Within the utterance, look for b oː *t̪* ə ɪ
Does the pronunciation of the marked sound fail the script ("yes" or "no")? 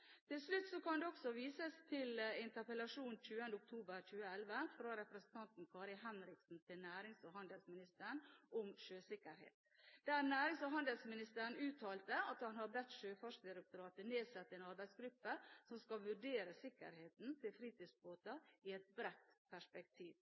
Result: no